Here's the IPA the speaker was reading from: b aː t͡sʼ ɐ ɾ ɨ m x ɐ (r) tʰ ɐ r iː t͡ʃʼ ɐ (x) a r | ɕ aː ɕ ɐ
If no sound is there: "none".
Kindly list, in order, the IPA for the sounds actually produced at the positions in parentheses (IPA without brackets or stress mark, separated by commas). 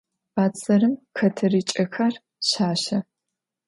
none, x